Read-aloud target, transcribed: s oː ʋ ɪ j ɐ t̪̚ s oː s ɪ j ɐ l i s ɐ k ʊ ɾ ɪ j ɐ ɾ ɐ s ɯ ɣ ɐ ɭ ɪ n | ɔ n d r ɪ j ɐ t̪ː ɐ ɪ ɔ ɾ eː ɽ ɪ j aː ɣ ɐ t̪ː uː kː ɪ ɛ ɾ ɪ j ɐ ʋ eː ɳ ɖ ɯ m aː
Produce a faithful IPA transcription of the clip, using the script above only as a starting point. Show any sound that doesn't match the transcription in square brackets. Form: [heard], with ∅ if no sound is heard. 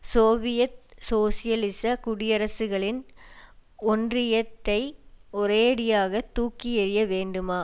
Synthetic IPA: s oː ʋ ɪ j ɐ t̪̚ s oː s ɪ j ɐ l [ɪ] s ɐ k ʊ [ɽ] ɪ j ɐ ɾ ɐ s ɯ ɣ ɐ ɭ ɪ n | ɔ n d r ɪ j ɐ t̪ː ɐ ɪ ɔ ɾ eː ɽ ɪ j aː ɣ ɐ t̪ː uː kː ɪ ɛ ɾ ɪ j ɐ ʋ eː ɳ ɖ ɯ m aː